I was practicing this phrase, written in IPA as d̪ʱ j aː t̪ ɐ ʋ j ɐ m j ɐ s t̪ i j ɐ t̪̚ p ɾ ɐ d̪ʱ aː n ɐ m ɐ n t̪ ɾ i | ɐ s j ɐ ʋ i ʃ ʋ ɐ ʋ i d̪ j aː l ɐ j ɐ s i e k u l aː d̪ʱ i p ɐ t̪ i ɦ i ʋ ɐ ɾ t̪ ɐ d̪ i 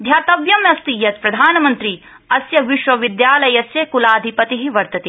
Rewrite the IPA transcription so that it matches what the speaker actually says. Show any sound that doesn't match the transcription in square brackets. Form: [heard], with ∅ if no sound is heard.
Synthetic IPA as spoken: d̪ʱ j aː t̪ ɐ ʋ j ɐ m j ɐ s t̪ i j ɐ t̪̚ p ɾ ɐ d̪ʱ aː n ɐ m ɐ n t̪ ɾ i | ɐ s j ɐ ʋ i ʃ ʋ ɐ ʋ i d̪ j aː l ɐ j ɐ s [j] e k u l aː d̪ʱ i p ɐ t̪ i ɦ i ʋ ɐ ɾ t̪ ɐ [t̪] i

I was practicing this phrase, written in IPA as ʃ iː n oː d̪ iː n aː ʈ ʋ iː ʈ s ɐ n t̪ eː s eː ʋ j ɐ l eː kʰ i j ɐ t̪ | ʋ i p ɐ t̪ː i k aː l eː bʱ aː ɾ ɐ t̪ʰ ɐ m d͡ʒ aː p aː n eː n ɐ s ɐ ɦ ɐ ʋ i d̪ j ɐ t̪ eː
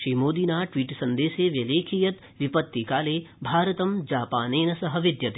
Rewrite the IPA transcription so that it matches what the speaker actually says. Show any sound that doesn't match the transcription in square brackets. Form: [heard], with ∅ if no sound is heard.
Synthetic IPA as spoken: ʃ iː [m] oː d̪ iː n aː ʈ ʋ iː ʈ s ɐ n [d̪] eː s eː ʋ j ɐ l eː kʰ i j ɐ t̪ | ʋ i p ɐ t̪ː i k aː l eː bʱ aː ɾ ɐ [t̪] ɐ m d͡ʒ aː p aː n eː n ɐ s ɐ ɦ ɐ ʋ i d̪ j ɐ t̪ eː

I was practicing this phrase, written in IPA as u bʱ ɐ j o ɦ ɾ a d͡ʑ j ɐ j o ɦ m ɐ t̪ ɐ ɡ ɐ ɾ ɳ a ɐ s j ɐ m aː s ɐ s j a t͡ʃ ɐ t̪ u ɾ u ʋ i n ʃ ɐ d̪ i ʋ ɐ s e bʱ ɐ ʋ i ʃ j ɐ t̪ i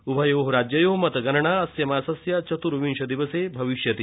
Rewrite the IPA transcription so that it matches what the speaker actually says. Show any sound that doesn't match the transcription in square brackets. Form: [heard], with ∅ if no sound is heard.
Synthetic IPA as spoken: u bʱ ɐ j o ɦ ɾ a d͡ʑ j ɐ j o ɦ m ɐ t̪ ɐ ɡ ɐ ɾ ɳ a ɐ s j ɐ m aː s ɐ s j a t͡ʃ ɐ t̪ u ɾ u ʋ i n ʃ ɐ d̪ i ʋ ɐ s e bʱ ɐ ʋ i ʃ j ɐ t̪ i

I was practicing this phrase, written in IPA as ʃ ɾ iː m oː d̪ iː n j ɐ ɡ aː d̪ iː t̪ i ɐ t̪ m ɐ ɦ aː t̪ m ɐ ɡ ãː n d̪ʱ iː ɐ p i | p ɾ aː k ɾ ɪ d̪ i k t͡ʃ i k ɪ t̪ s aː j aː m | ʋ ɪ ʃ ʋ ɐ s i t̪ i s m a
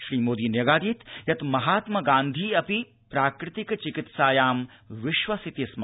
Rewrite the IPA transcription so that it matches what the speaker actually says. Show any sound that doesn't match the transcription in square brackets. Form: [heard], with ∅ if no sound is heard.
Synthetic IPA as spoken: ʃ ɾ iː m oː d̪ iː n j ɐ ɡ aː d̪ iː t̪ [j] ɐ t̪ m ɐ ɦ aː t̪ m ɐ ɡ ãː n d̪ʱ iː ɐ p i | p ɾ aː k ɾ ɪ [t̪] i k t͡ʃ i k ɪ t̪ s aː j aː m | ʋ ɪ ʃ ʋ ɐ s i t̪ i s m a

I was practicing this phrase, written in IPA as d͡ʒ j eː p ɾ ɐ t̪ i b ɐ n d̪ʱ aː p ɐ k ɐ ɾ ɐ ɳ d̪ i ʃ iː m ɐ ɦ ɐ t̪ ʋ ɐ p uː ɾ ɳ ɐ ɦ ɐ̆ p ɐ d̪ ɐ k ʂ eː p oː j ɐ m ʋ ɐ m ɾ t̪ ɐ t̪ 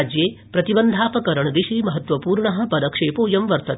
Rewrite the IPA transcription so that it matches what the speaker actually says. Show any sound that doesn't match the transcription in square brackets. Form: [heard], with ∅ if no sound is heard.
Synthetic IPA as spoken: d͡ʒ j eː p ɾ ɐ t̪ i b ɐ n d̪ʱ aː p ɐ k ɐ ɾ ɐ ɳ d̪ i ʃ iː m ɐ ɦ ɐ t̪ ʋ ɐ p uː ɾ ɳ ɐ ɦ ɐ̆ p ɐ d̪ ɐ k ʂ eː p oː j ɐ m ʋ ɐ [∅] ɾ t̪ ɐ t̪

